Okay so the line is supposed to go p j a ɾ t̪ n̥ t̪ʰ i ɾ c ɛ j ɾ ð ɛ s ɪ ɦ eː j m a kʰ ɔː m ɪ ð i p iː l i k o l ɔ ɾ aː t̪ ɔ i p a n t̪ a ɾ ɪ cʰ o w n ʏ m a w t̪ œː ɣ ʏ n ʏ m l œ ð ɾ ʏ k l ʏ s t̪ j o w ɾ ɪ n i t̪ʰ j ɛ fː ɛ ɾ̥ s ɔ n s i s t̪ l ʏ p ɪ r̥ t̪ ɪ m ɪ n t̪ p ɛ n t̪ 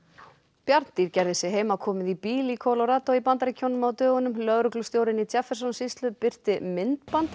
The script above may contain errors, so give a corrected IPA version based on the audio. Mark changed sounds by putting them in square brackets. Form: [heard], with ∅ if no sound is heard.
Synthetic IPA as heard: p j a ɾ t̪ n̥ [t̪] i ɾ c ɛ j ɾ ð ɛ s ɪ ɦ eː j m a kʰ ɔː m ɪ ð i p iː l i [kʰ] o l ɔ ɾ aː t̪ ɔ i p a n t̪ a ɾ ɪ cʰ o w n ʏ m a w t̪ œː ɣ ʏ n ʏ m l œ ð ɾ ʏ k l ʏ s t̪ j o w ɾ ɪ n i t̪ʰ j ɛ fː ɛ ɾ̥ s ɔ n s i s t̪ l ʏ p ɪ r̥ t̪ ɪ m ɪ n t̪ p [a] n t̪